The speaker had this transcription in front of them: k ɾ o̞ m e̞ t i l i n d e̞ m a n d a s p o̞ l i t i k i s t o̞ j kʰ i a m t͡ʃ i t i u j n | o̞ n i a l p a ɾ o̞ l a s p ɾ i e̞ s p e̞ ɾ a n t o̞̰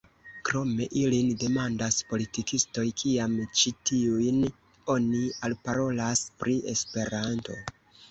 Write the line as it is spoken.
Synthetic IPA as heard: k ɾ o̞ m e̞ ʔ i l i n d e̞ m a n d a s p o̞ l i t i k i s t o̞ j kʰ i a m t͡ʃ i t i u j n | o̞ n i a l p a ɾ o̞ l a s p ɾ i e̞ s p e̞ ɾ a n t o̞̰